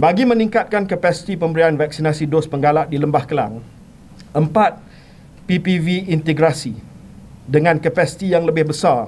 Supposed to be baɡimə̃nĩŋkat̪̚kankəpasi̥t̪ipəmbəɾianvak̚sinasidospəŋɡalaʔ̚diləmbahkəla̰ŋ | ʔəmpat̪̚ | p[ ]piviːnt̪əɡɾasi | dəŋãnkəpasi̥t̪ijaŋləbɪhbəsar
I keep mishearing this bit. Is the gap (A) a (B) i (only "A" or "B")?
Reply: B